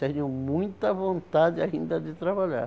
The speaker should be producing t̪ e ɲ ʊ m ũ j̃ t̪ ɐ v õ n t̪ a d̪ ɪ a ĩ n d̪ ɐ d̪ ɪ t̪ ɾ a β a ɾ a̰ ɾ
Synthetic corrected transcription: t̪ e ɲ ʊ m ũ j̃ t̪ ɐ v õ n t̪ a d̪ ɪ a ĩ n d̪ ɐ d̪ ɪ t̪ ɾ a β a ʎ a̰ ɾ